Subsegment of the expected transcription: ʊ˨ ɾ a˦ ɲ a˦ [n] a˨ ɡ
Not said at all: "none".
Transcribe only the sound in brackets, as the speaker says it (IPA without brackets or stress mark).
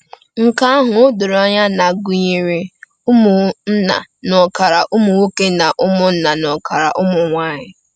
n